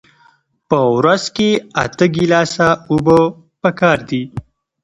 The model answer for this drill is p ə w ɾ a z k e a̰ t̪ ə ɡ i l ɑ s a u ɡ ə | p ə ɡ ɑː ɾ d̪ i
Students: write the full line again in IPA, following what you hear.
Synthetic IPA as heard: p ə w ɾ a z k e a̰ t̪ ə ɡ i l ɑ s a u b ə | p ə k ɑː ɾ d̪ i